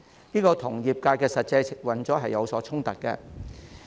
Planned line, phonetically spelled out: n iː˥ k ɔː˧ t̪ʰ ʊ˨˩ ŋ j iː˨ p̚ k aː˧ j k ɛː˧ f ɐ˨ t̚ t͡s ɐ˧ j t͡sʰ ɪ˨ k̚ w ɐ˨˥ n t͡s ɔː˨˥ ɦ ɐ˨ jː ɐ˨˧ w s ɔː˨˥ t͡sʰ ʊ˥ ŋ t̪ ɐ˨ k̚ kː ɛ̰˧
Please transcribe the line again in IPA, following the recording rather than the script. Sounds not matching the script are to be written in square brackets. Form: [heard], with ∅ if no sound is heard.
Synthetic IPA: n iː˥ k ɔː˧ t̪ʰ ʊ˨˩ ŋ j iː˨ p̚ k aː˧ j k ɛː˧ [s] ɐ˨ t̚ t͡s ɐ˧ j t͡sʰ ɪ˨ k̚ w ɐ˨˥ n t͡s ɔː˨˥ ɦ ɐ˨ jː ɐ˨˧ w s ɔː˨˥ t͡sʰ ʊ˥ ŋ t̪ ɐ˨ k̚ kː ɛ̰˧